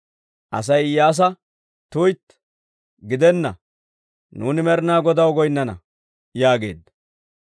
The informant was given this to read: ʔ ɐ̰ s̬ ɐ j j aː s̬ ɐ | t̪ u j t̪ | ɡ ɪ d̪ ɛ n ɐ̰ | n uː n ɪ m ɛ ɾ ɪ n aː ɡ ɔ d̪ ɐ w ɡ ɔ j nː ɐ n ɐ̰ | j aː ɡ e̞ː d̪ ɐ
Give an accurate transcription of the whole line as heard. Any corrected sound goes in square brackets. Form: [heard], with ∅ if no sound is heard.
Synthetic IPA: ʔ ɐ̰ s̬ ɐ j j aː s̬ ɐ | t̪ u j t̪ | ɡ ɪ d̪ ɛ [nː] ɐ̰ | n uː n ɪ m ɛ ɾ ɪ n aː ɡ ɔ d̪ ɐ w ɡ ɔ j nː ɐ n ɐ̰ | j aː ɡ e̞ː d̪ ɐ

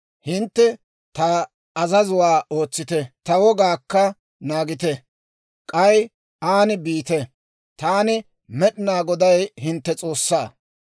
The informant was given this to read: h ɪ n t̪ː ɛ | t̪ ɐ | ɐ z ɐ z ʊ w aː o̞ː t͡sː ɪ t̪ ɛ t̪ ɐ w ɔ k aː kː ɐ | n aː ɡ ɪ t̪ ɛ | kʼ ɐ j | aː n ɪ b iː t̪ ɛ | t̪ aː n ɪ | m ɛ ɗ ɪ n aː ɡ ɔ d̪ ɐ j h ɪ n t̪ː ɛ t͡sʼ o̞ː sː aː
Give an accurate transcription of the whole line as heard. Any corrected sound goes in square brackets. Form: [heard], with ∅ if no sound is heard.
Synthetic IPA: h ɪ n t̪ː ɛ | t̪ ɐ | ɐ z ɐ z ʊ w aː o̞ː t͡sː ɪ t̪ ɛ t̪ ɐ w ɔ [ɡ] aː kː ɐ | n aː ɡ ɪ t̪ ɛ | kʼ ɐ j | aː n ɪ b iː t̪ ɛ | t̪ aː n ɪ | m ɛ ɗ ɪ n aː ɡ ɔ d̪ ɐ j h ɪ n t̪ː ɛ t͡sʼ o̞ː sː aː

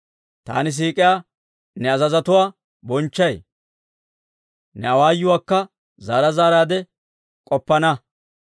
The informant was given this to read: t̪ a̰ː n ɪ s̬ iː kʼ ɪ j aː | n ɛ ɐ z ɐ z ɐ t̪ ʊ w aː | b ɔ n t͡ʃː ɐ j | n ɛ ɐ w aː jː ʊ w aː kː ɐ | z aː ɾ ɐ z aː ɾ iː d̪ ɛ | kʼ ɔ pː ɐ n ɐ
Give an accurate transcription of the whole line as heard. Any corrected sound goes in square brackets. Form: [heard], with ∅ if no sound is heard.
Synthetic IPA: t̪ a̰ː n ɪ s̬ iː kʼ ɪ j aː | n ɛ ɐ z ɐ z ɐ t̪ ʊ w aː | b ɔ n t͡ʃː ɐ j | n ɛ ɐ w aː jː ʊ w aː kː ɐ | z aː ɾ ɐ z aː ɾ [aː] d̪ ɛ | kʼ ɔ pː ɐ n ɐ

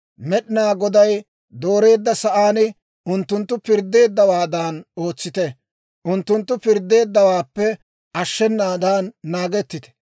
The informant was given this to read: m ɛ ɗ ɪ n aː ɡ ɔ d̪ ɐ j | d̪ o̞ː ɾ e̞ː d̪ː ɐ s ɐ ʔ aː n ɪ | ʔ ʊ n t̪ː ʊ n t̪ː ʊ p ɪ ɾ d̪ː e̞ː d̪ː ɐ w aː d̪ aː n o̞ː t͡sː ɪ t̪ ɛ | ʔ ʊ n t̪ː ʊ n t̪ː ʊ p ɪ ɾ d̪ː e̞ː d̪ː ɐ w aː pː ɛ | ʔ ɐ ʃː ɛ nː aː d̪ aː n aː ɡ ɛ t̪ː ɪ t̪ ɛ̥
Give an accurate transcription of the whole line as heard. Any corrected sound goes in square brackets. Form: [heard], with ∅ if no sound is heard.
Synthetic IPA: m ɛ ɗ ɪ n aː ɡ ɔ d̪ ɐ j | d̪ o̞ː ɾ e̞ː d̪ː ɐ s ɐ ʔ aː n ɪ | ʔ ʊ n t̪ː ʊ n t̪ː ʊ p ɪ ɾ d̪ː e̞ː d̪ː ɐ w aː d̪ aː n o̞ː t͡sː ɪ t̪ ɛ | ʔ ʊ n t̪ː ʊ n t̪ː ʊ p ɪ ɾ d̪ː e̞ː d̪ː ɐ w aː pː ɛ | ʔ ɐ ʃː ɛ nː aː d̪ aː [nː] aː ɡ ɛ t̪ː ɪ t̪ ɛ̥

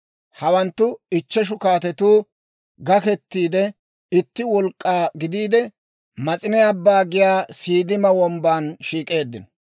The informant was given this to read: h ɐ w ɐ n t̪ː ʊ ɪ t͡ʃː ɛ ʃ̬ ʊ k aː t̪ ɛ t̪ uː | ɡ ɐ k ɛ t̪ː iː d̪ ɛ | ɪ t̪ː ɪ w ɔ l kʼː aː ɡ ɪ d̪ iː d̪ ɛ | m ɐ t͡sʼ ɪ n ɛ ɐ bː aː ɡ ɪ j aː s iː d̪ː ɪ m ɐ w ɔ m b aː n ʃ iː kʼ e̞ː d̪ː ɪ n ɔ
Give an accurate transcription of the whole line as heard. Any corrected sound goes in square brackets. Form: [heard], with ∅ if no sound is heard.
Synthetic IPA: h ɐ w ɐ n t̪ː ʊ ɪ t͡ʃː ɛ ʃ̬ ʊ k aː t̪ ɛ t̪ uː | ɡ ɐ k ɛ t̪ː iː d̪ ɛ | ɪ t̪ː ɪ w ɔ l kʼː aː ɡ ɪ d̪ iː d̪ ɛ | m ɐ t͡sʼ ɪ n ɛ ɐ bː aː ɡ ɪ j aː s iː [d̪] ɪ m ɐ w ɔ m b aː n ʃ iː kʼ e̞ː d̪ː ɪ n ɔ

